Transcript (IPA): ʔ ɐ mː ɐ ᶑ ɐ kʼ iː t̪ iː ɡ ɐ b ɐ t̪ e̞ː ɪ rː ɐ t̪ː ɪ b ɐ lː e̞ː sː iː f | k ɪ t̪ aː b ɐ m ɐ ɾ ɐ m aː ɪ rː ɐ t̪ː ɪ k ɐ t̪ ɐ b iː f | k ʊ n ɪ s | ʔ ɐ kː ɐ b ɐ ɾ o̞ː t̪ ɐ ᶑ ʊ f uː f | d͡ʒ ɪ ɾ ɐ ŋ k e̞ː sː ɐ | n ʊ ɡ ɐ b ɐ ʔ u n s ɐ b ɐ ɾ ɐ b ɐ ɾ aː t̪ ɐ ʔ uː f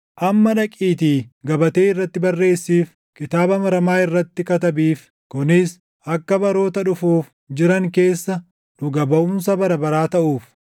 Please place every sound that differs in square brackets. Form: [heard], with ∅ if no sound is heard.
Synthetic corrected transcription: ʔ ɐ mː ɐ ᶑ ɐ kʼ iː t̪ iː ɡ ɐ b ɐ t̪ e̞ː ɪ rː ɐ t̪ː ɪ b ɐ [rː] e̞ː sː iː f | k ɪ t̪ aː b ɐ m ɐ ɾ ɐ m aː ɪ rː ɐ t̪ː ɪ k ɐ t̪ ɐ b iː f | k ʊ n ɪ s | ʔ ɐ kː ɐ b ɐ ɾ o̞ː t̪ ɐ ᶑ ʊ f uː f | d͡ʒ ɪ ɾ ɐ ŋ k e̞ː sː ɐ | n ʊ ɡ ɐ b ɐ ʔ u n s ɐ b ɐ ɾ ɐ b ɐ ɾ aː t̪ ɐ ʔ uː f